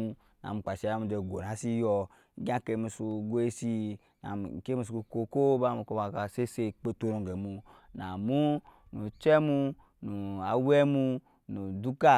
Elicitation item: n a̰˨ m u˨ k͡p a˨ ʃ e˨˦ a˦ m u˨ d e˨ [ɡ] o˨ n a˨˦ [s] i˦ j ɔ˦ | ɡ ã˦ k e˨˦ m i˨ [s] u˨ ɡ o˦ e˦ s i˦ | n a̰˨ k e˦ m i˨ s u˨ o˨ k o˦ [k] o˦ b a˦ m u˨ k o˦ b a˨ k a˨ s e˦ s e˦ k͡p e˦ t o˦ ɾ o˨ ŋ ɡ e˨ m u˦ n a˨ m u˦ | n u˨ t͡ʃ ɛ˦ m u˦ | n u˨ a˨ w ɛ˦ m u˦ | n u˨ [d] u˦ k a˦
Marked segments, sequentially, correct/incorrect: correct, correct, correct, correct, correct

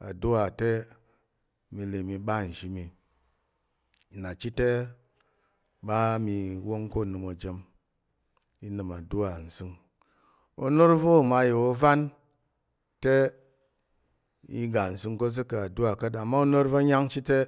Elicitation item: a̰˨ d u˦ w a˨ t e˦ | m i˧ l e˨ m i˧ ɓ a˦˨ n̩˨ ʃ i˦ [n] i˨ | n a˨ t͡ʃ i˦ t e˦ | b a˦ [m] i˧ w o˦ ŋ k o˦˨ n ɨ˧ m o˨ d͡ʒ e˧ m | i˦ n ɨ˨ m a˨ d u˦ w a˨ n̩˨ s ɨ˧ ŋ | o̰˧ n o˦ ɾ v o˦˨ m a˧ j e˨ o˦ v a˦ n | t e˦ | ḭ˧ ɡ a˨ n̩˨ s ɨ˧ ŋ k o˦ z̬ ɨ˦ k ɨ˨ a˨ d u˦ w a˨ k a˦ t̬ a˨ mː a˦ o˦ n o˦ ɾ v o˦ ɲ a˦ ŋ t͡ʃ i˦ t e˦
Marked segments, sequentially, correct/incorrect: incorrect, correct

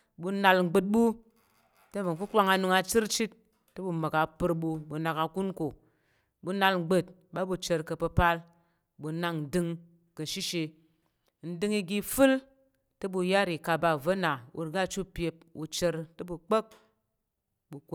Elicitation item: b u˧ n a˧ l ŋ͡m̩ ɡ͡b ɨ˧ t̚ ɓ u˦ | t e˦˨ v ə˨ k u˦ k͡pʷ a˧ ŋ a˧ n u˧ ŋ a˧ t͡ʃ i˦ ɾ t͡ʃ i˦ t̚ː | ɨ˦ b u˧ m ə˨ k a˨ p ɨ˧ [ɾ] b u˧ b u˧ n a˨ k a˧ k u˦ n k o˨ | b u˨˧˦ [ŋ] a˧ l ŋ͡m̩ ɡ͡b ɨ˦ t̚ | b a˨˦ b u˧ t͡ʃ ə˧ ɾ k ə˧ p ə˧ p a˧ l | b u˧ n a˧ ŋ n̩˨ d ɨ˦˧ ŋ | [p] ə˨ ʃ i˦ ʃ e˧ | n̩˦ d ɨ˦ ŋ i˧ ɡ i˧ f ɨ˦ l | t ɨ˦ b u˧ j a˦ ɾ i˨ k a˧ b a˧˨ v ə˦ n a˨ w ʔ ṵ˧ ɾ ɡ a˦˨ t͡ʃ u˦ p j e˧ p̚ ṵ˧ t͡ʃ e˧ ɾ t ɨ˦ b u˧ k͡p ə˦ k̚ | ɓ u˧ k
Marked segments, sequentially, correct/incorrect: correct, incorrect, incorrect

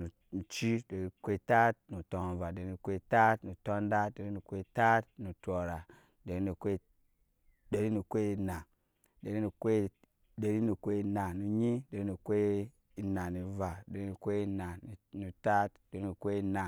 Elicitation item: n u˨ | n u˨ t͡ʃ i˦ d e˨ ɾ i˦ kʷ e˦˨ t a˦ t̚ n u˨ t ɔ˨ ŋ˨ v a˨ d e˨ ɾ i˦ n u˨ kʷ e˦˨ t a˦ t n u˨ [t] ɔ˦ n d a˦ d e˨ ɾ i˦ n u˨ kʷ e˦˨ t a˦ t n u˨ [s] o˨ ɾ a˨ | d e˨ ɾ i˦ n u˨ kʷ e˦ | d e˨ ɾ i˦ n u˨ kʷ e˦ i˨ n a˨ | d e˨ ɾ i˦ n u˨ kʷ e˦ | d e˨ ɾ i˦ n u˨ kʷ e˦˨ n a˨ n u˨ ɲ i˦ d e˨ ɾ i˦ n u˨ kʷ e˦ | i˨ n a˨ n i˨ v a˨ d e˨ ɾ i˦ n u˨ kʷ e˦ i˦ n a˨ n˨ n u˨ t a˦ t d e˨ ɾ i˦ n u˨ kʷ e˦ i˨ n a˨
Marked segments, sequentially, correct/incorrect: correct, incorrect

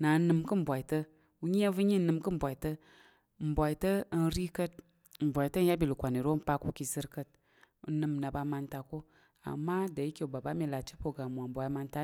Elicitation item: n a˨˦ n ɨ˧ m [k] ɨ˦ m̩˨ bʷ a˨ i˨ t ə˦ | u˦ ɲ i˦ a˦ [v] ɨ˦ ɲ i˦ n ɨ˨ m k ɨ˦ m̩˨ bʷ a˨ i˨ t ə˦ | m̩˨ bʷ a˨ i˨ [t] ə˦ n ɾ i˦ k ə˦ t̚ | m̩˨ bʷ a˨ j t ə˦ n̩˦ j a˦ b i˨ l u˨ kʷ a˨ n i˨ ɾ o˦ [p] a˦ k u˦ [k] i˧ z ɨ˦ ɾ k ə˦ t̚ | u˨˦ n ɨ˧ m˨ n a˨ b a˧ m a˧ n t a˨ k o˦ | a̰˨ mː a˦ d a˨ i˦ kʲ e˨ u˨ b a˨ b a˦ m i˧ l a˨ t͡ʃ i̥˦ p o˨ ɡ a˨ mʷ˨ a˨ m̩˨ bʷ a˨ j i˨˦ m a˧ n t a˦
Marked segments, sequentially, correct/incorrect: correct, correct, correct, correct, correct

